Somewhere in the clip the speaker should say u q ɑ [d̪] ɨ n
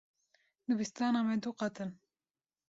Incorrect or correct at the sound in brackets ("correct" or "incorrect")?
incorrect